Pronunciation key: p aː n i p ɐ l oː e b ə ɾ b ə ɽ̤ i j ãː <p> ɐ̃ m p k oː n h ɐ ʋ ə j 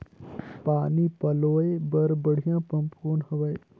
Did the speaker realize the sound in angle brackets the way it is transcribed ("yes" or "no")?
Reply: yes